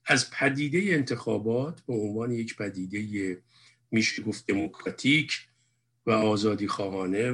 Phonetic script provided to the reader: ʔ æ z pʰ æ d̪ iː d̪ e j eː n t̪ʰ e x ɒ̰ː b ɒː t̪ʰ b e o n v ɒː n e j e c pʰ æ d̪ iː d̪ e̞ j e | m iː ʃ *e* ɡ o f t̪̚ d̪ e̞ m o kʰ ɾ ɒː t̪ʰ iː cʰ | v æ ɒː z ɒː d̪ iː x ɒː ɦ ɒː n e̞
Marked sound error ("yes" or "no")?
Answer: no